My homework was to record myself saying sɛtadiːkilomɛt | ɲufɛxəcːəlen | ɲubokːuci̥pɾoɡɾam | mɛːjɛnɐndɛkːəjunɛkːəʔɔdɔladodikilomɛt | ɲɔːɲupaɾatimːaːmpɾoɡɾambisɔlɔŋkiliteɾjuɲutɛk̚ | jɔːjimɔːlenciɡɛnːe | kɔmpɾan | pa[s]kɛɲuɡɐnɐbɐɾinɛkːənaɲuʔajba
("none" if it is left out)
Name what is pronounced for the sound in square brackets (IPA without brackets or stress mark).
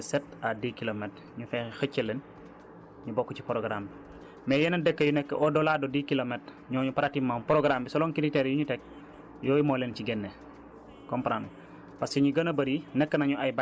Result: s